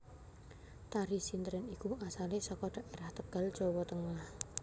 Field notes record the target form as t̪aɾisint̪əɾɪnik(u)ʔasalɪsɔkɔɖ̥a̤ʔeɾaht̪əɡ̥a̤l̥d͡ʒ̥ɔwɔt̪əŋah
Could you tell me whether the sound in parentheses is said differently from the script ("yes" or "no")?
no